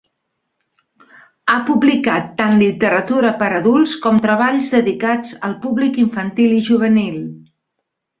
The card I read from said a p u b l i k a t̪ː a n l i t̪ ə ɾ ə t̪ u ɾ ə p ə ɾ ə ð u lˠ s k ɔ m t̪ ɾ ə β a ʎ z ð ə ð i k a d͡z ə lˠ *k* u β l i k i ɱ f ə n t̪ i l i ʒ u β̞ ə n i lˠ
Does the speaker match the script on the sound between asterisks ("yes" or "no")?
no